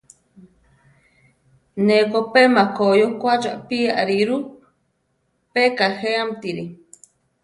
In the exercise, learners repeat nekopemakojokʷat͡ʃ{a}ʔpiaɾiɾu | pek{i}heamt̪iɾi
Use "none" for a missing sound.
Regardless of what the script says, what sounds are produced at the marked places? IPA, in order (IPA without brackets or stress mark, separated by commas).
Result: a, a